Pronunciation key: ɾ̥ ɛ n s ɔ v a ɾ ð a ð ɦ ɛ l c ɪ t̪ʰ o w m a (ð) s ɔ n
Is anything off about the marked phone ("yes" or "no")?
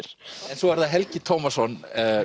yes